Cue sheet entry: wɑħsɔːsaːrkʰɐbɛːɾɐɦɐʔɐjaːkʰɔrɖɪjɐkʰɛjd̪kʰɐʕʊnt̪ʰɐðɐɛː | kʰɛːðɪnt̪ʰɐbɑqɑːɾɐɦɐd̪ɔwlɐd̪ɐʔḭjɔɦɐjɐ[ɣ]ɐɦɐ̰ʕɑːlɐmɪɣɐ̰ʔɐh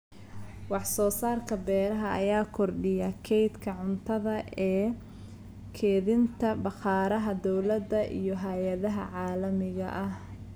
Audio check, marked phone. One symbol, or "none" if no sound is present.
ð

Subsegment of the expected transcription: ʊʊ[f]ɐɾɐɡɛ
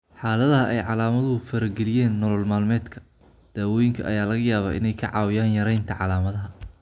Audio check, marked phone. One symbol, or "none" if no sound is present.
f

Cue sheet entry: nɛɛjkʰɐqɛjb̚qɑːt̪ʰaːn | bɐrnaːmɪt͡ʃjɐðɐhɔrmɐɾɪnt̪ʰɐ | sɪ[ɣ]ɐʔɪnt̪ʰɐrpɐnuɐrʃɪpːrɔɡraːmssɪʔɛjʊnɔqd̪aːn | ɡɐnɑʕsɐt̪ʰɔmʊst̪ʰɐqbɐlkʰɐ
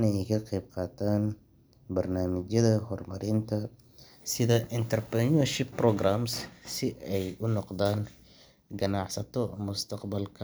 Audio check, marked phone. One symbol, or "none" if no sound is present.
ð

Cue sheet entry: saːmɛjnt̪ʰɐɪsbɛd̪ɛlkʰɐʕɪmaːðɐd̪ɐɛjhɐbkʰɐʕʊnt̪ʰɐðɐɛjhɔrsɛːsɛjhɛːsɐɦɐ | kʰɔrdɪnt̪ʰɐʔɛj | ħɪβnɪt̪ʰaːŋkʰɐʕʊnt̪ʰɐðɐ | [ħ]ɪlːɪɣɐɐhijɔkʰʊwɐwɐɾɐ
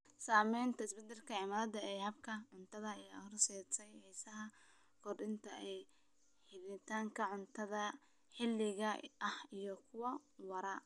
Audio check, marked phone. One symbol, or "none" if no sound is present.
ħ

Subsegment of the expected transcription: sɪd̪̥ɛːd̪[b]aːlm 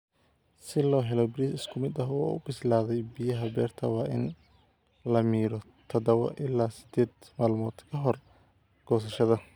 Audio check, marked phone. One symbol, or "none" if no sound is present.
m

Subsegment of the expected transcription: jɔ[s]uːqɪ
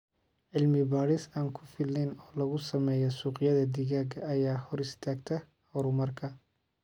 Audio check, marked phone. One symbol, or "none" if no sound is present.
s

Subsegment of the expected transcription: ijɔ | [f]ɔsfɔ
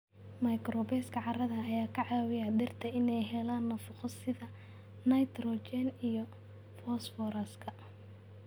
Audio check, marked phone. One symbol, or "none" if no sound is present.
f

